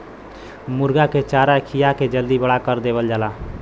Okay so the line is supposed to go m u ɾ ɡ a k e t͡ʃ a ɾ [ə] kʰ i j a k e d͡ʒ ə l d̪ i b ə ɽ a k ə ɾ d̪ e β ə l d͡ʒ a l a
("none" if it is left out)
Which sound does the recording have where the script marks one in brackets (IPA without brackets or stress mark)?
a